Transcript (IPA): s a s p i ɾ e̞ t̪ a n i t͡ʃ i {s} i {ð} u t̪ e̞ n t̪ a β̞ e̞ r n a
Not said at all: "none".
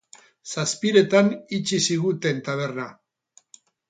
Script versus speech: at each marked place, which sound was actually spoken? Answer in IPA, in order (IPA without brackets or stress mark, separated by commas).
s, ɣ